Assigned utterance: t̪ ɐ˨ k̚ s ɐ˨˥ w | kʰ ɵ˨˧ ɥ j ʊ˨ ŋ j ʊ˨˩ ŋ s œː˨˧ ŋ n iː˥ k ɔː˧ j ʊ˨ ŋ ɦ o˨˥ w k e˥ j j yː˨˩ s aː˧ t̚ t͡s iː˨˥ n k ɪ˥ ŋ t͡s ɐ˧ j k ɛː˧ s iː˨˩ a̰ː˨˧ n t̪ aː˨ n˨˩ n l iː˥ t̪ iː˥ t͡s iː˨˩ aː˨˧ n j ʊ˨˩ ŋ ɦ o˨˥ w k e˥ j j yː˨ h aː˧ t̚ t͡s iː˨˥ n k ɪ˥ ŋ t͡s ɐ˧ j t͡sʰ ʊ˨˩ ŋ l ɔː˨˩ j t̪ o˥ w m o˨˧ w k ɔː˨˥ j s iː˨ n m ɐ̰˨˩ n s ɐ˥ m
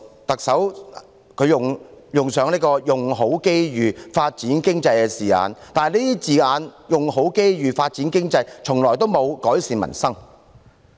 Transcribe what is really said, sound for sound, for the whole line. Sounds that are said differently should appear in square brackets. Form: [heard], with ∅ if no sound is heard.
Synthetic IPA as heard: t̪ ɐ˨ k̚ s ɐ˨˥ w | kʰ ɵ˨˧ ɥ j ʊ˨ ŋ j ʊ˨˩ ŋ s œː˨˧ ŋ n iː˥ k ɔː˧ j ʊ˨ ŋ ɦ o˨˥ w k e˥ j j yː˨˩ [f] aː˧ t̚ t͡s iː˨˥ n k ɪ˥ ŋ t͡s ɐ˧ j k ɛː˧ s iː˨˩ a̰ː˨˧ n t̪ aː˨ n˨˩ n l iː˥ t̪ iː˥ t͡s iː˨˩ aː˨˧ n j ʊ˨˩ ŋ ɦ o˨˥ w k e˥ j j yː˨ [f] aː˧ t̚ t͡s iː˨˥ n k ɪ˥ ŋ t͡s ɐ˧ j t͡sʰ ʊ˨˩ ŋ l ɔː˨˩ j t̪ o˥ w m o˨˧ w k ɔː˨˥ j s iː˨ n m ɐ̰˨˩ n s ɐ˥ [ŋ]